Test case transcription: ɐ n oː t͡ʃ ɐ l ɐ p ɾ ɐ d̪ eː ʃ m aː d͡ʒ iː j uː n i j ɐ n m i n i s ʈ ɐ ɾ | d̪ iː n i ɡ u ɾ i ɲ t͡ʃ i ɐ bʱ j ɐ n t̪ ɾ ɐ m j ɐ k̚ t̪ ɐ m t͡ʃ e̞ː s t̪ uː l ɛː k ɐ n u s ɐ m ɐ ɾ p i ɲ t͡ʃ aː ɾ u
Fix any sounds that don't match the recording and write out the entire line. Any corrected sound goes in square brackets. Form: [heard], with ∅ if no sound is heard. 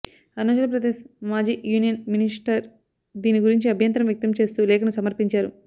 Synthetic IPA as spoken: ɐ n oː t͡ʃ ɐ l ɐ p ɾ ɐ d̪ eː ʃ m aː d͡ʒ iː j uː n i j ɐ n m i n i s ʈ ɐ ɾ | d̪ iː n i ɡ u ɾ i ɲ t͡ʃ i ɐ bʱ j ɐ n t̪ ɾ ɐ m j ɐ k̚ t̪ ɐ m t͡ʃ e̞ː s t̪ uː l ɛː k ɐ n u s ɐ m ɐ ɾ p i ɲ t͡ʃ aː ɾ u